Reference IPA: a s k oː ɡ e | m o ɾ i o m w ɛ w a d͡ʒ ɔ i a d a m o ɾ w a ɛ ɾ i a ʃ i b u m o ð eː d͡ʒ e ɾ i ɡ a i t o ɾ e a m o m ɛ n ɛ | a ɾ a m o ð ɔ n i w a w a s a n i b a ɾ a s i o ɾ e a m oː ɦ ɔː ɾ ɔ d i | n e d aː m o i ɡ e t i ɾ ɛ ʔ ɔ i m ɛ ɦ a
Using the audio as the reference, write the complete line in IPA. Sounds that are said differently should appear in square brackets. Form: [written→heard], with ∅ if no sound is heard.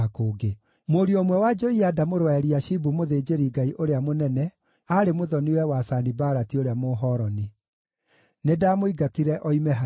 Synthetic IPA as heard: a [s→∅] k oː ɡ e | m o ɾ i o m w ɛ w a d͡ʒ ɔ i a d a m o ɾ w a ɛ ɾ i a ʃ i b u m o ð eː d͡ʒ e ɾ i ɡ a i [t→ʔ] o ɾ e a m o [m→n] ɛ n ɛ | a ɾ [a→e] m o ð ɔ n i w [a→ɛ] w a s a n i b a ɾ a [s→t] i o ɾ e a m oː ɦ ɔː ɾ ɔ [d→n] i | n e d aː m o i ɡ [e→a] t i ɾ ɛ ʔ ɔ i m ɛ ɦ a